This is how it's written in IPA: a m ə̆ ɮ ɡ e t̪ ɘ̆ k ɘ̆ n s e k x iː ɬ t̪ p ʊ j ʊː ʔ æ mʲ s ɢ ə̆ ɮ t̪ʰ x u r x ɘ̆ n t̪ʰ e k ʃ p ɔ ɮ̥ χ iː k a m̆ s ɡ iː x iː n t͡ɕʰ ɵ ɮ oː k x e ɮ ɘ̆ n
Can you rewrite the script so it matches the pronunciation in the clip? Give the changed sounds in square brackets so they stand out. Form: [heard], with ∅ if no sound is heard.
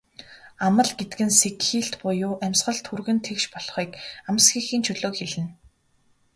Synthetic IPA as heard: a m ə̆ ɮ ɡ e t̪ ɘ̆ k ɘ̆ n s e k x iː ɬ t̪ p ʊ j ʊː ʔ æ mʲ s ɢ ə̆ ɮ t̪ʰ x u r [ɣ] ɘ̆ n t̪ʰ e k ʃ p ɔ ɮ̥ χ iː k a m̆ s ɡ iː x iː n t͡ɕʰ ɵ ɮ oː k x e ɮ ɘ̆ n